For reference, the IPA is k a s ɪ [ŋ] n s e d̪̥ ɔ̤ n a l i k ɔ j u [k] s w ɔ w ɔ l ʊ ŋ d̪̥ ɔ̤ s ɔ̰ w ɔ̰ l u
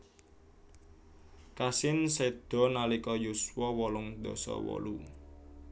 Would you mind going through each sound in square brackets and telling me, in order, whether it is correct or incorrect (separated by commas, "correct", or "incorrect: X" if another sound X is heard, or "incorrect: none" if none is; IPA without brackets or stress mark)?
incorrect: none, incorrect: none